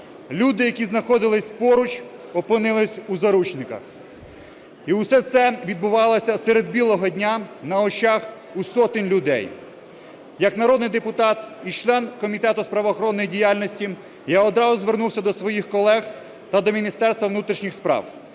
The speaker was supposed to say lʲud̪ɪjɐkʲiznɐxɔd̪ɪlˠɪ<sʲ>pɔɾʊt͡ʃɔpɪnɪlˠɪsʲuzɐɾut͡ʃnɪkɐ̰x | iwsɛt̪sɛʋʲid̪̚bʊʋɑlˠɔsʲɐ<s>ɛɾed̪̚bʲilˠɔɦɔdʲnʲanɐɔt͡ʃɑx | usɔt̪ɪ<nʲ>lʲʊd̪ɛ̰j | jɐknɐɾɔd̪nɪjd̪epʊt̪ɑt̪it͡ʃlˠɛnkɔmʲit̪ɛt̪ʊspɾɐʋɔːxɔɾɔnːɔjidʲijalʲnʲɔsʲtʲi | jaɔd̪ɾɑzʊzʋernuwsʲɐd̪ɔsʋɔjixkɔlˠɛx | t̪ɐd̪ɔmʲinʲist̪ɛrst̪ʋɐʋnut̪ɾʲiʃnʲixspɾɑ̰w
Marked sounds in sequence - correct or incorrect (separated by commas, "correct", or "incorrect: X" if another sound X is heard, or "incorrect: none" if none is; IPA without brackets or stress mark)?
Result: correct, correct, correct